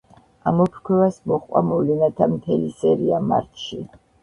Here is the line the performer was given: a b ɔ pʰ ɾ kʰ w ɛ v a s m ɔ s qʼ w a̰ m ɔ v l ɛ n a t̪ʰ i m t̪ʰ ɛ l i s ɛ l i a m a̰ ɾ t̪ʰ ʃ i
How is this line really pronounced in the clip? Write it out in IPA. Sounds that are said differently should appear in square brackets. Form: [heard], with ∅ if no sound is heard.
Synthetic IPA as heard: a [m] ɔ pʰ ɾ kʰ w ɛ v a s m ɔ [χ] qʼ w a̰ m ɔ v l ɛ n a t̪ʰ [a] m t̪ʰ ɛ l i s ɛ [ɾ] i a m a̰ ɾ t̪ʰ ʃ i